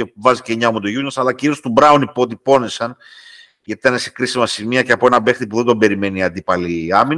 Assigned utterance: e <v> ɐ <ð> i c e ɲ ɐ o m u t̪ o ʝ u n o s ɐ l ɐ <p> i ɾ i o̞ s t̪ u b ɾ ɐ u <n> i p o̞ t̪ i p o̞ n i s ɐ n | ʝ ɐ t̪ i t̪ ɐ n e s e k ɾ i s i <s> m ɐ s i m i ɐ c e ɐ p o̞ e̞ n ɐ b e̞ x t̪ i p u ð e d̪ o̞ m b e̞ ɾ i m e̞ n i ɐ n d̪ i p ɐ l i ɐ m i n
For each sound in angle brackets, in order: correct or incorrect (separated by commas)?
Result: correct, incorrect, incorrect, correct, incorrect